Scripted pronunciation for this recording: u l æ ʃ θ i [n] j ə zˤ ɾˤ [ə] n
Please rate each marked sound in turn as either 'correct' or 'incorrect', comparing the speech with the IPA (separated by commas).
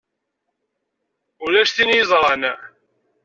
correct, incorrect